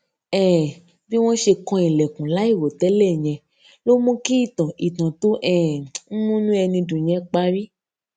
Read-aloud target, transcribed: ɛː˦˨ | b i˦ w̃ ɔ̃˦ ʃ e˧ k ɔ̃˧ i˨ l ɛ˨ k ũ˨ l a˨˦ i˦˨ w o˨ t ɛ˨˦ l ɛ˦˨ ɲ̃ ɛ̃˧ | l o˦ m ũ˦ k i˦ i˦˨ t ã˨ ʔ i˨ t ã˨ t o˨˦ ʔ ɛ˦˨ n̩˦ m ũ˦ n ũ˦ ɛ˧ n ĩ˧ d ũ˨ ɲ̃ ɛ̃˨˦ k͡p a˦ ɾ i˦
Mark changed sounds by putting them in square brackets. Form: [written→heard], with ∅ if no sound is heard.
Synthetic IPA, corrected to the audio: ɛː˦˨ | b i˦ w̃ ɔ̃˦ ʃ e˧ k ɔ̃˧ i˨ l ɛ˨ k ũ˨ l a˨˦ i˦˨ w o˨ t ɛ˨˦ l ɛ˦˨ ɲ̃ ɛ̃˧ | l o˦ m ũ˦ k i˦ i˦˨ t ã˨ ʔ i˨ t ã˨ t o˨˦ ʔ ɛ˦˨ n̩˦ m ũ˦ n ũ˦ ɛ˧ n ĩ˧ d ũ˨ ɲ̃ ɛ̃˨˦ k͡p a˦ ɾ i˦